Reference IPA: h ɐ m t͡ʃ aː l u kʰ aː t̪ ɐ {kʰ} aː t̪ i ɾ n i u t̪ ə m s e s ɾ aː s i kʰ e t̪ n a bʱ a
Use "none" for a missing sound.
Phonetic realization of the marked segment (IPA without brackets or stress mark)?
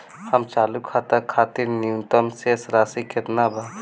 kʰ